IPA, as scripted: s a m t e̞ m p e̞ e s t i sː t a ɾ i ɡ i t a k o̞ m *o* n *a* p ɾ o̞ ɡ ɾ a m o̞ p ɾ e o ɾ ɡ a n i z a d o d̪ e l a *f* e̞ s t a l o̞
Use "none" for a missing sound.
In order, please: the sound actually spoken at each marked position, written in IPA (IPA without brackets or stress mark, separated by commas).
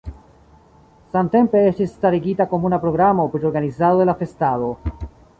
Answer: u, a, f